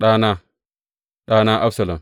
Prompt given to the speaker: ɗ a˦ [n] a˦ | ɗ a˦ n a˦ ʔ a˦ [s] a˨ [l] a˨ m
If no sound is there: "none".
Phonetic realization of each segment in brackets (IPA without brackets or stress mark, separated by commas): n, s, l